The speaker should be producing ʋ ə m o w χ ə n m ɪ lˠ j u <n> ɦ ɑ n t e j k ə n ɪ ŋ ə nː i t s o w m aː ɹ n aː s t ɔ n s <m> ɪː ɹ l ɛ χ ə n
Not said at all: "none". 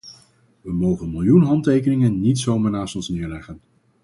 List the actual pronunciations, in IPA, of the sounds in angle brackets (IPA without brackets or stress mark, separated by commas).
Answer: n, n